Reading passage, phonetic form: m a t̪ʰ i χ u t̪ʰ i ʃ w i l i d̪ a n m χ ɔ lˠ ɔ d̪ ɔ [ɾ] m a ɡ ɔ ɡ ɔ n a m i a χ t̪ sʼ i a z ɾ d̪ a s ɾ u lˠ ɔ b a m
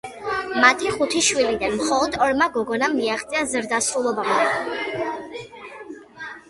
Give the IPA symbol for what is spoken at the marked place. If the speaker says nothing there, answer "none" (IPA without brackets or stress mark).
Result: ɾ